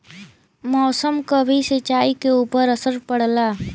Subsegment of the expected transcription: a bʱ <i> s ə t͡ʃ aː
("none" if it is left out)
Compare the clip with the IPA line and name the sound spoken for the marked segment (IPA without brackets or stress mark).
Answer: i